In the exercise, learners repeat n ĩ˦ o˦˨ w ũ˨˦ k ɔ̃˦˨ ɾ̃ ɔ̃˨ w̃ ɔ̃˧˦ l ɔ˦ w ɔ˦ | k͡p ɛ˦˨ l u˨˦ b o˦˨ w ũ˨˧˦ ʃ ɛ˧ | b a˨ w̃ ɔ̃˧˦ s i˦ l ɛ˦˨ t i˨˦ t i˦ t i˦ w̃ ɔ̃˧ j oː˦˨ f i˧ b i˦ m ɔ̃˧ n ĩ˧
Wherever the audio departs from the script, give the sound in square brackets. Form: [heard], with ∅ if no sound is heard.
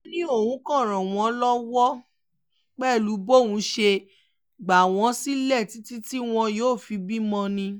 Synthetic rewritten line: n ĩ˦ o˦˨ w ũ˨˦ k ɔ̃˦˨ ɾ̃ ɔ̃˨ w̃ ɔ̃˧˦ l ɔ˦ w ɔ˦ | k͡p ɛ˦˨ l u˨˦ b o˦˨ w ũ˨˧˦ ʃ [e˧] | [ɡ͡b] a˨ w̃ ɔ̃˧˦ s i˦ l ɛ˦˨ t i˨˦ t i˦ t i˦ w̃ ɔ̃˧ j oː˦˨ f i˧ b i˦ m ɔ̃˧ n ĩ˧